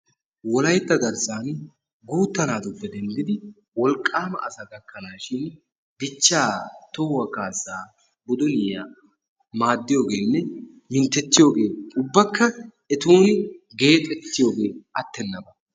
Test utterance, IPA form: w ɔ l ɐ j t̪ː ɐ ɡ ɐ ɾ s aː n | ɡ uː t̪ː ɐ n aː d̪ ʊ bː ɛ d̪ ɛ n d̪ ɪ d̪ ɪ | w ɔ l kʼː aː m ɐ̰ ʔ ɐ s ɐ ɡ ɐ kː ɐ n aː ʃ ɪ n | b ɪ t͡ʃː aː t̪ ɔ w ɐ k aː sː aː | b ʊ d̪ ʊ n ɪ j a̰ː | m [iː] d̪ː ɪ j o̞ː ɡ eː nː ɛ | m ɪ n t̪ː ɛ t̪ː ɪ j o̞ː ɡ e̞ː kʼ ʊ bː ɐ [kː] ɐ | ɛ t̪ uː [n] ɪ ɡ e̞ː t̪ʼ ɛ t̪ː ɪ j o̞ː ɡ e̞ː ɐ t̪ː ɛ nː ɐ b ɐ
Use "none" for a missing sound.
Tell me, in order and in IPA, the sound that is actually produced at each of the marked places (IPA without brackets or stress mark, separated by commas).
aː, kː, n